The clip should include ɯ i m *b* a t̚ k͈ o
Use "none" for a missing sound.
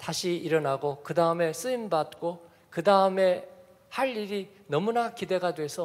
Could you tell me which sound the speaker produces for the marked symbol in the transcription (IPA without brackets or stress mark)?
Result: b